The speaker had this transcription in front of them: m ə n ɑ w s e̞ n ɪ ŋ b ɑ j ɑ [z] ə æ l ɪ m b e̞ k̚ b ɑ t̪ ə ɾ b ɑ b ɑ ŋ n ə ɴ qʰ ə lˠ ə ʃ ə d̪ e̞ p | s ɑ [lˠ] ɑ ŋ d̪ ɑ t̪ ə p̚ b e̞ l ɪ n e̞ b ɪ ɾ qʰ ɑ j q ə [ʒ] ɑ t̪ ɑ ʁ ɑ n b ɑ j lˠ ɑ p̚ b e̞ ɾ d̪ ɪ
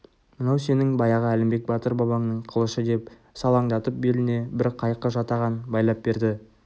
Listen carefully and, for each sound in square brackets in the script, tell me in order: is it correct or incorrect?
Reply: incorrect: ʁ, correct, correct

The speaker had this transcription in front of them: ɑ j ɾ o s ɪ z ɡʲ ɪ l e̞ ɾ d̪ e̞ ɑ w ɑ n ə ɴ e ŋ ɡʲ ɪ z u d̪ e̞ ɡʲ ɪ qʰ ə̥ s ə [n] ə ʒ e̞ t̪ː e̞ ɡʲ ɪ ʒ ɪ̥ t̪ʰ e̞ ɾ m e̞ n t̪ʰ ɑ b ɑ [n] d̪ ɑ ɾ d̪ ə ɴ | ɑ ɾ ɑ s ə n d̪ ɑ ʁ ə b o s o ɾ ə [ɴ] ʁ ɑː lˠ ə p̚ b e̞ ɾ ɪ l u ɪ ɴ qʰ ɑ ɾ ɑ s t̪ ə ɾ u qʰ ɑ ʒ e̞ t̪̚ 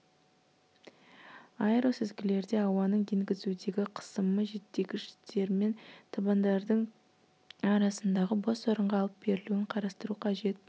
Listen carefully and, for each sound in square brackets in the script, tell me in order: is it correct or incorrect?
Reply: incorrect: m, correct, correct

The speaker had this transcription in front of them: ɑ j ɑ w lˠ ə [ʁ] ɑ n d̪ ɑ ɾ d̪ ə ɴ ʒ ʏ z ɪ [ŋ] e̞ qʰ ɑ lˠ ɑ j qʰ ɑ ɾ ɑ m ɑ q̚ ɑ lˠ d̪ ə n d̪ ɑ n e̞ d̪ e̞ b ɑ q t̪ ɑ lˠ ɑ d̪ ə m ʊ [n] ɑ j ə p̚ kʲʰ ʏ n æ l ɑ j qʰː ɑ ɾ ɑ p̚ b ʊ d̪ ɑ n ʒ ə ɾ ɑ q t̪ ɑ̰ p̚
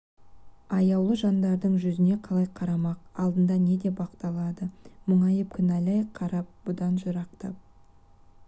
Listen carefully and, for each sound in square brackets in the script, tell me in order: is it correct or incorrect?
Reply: incorrect: ʒ, incorrect: n, incorrect: ɴ

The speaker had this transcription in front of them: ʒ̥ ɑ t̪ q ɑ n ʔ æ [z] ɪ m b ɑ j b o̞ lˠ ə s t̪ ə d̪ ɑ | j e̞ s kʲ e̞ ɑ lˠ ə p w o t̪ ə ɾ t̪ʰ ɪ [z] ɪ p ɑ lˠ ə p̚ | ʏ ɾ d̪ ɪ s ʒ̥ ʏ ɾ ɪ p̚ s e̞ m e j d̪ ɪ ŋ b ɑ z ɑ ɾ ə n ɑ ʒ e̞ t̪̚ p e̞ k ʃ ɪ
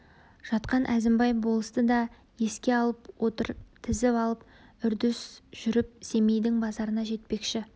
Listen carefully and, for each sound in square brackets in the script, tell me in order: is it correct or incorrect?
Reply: correct, correct

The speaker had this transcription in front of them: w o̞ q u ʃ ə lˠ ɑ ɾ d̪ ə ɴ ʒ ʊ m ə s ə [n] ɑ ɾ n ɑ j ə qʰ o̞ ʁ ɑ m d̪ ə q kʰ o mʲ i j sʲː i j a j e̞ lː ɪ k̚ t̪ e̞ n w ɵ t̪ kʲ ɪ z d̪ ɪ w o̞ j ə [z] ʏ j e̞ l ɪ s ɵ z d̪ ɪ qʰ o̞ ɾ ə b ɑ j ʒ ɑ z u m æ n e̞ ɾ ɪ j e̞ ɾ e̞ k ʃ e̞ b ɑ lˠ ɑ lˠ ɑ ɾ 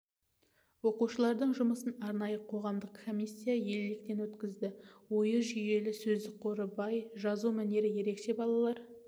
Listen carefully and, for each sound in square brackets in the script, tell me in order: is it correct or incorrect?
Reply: correct, incorrect: ʒ

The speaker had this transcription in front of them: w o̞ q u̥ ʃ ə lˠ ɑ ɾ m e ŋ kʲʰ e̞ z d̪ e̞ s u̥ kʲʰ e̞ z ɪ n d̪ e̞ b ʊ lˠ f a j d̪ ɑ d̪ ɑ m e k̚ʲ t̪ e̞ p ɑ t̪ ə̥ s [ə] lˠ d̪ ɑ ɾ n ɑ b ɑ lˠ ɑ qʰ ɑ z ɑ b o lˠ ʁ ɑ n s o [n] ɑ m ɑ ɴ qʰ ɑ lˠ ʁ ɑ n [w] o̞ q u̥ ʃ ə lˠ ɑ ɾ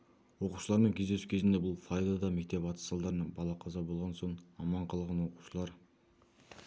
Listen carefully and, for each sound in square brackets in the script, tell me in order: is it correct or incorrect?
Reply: incorrect: ɑ, incorrect: ɴ, correct

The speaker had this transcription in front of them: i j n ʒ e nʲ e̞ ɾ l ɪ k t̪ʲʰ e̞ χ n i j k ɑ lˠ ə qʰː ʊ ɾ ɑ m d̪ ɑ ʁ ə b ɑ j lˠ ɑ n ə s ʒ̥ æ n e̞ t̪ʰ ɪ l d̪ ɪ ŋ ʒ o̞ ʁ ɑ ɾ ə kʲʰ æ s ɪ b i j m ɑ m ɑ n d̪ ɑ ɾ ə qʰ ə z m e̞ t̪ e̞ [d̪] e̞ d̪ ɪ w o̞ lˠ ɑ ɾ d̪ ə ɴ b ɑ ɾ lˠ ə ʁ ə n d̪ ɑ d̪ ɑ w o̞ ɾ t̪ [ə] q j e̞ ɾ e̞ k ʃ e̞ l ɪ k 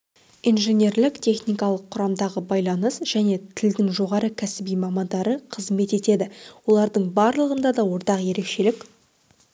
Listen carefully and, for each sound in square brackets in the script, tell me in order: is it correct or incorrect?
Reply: incorrect: t̪, incorrect: ɑ

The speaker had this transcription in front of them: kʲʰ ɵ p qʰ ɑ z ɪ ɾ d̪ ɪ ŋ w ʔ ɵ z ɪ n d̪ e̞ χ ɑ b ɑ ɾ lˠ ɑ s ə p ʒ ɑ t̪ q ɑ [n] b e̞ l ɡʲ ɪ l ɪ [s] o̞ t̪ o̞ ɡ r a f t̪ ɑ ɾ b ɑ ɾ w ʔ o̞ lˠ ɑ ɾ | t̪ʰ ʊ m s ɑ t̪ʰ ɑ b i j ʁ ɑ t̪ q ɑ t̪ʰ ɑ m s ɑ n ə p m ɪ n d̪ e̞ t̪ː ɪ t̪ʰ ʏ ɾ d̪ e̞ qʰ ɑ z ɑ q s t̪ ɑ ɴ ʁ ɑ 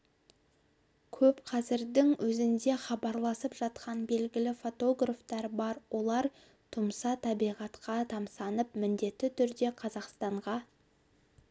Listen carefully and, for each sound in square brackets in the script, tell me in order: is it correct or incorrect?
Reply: correct, incorrect: f

